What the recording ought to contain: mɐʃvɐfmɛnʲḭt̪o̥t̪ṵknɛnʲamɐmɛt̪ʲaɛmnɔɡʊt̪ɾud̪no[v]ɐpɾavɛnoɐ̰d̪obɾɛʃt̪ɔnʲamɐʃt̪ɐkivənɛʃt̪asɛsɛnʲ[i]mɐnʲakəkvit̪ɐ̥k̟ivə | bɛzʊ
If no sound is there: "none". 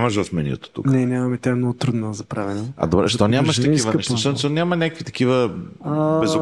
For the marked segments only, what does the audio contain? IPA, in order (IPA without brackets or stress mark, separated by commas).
z, a